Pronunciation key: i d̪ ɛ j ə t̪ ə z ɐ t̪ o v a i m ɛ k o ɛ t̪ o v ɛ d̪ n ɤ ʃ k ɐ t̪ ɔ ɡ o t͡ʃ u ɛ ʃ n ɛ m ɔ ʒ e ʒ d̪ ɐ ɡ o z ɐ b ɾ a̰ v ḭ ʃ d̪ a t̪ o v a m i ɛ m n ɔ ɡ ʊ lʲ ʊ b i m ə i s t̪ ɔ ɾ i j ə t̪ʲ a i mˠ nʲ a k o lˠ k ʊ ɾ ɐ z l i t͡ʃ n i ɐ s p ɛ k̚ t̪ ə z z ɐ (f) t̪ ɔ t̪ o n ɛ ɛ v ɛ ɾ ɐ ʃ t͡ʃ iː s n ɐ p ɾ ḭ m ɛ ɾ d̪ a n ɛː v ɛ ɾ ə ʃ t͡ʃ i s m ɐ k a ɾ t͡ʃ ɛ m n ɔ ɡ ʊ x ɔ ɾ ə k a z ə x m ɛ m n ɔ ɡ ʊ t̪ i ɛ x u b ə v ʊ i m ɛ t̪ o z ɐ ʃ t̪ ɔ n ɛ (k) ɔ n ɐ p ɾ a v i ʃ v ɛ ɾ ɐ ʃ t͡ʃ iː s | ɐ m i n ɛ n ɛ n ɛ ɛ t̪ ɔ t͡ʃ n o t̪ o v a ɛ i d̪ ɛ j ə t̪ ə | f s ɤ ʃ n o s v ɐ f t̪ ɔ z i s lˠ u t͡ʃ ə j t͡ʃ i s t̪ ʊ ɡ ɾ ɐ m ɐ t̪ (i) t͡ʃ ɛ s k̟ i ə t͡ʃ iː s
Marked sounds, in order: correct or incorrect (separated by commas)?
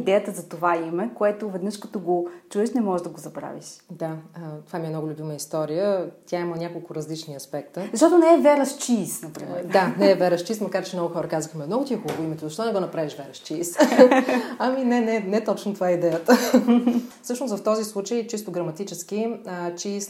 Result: incorrect, incorrect, correct